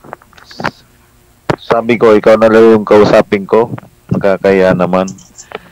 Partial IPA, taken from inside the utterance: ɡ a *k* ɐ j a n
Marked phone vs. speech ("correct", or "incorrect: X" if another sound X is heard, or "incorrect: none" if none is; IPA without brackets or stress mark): correct